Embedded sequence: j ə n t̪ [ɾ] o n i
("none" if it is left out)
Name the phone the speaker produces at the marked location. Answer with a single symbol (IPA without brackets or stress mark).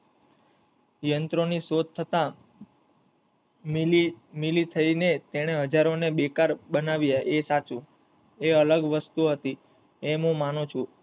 ɾ